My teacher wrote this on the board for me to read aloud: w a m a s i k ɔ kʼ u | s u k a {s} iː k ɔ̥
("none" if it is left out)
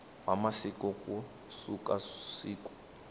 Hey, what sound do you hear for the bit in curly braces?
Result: s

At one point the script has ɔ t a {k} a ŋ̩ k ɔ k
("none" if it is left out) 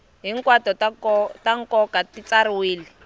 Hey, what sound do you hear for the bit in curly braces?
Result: t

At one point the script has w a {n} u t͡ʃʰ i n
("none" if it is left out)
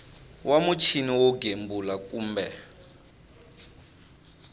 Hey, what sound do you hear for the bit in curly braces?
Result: m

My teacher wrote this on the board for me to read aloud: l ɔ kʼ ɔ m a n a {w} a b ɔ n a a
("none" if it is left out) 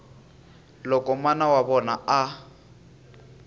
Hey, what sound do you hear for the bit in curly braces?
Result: w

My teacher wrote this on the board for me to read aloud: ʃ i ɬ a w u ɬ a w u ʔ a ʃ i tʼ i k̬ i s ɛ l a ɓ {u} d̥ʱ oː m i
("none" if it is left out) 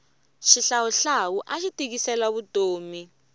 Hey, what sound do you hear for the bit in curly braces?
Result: u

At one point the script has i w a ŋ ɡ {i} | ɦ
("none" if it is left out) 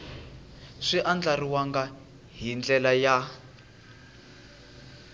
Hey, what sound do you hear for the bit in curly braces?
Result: a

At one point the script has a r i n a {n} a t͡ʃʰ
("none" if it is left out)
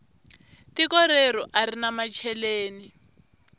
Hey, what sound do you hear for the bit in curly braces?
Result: m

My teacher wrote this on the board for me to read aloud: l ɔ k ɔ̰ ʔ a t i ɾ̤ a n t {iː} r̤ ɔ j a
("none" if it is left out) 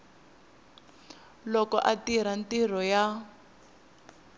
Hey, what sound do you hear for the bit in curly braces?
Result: i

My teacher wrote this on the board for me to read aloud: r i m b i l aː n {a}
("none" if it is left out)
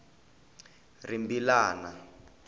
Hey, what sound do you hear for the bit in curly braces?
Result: a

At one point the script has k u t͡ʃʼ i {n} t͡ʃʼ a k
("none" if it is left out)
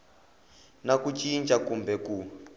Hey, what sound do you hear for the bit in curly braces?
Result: n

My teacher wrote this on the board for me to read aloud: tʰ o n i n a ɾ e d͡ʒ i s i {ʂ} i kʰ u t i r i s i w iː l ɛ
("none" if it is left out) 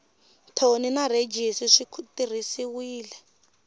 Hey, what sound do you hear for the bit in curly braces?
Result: ʂ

